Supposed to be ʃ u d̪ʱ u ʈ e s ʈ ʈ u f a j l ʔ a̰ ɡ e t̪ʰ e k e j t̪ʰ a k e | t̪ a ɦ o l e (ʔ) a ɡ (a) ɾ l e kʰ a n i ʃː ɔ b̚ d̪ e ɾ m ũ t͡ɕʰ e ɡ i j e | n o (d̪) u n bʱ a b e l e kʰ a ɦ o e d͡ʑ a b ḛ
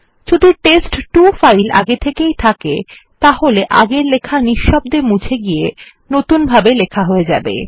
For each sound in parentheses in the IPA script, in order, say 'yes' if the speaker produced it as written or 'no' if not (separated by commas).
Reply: yes, no, no